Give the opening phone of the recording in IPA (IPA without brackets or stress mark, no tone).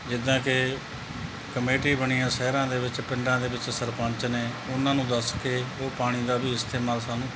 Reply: d͡ʒ